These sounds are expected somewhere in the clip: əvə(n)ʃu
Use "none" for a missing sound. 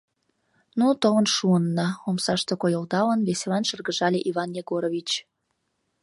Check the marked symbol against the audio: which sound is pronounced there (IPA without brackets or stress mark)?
n